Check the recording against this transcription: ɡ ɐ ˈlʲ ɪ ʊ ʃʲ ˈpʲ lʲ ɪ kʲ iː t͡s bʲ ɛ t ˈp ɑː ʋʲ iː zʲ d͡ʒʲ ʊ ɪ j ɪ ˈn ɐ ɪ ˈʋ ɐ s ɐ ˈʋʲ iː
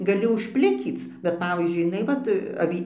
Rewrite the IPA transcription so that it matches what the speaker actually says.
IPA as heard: ɡ ɐ ˈlʲ ɪ ʊ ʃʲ ˈpʲ lʲ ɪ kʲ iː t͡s bʲ ɛ t ˈp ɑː ʋʲ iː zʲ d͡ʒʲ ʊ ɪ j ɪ ˈn ɐ ɪ ˈʋ ɐ t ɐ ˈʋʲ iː